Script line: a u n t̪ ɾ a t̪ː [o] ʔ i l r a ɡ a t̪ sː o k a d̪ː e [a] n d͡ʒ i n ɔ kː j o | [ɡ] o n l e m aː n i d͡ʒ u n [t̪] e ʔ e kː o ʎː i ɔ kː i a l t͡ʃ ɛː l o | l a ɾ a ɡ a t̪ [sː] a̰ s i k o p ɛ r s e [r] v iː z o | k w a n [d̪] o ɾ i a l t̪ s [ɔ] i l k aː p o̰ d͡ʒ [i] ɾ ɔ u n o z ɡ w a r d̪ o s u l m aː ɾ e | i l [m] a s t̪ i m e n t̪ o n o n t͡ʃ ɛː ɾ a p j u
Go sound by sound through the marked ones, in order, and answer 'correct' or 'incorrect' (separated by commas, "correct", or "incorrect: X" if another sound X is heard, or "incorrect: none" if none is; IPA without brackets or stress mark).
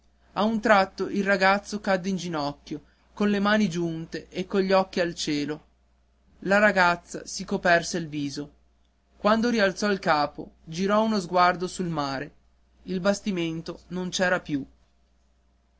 correct, incorrect: i, incorrect: k, correct, correct, incorrect: l, correct, correct, correct, incorrect: b